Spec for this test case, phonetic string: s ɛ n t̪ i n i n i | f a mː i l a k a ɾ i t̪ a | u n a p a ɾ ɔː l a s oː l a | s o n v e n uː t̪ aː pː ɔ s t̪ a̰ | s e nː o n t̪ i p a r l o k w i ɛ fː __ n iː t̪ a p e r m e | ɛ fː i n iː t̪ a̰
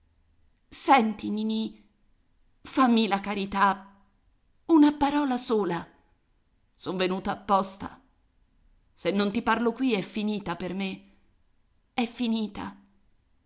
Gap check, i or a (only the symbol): i